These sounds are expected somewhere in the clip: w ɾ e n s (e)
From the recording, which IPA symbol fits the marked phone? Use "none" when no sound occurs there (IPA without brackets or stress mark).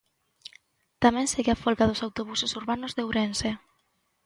e